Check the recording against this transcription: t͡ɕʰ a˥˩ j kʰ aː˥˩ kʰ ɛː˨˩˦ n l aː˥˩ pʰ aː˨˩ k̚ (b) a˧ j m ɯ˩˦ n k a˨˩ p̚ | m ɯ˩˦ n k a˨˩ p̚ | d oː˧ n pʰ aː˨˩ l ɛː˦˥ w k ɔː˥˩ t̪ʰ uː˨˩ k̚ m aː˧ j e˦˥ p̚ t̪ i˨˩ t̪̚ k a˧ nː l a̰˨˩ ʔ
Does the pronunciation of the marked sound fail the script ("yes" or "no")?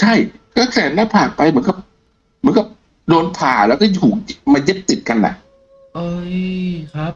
yes